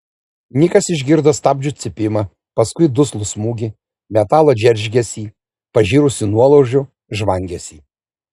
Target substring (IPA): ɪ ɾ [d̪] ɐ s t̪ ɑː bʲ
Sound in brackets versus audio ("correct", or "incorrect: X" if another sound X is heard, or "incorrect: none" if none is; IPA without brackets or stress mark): correct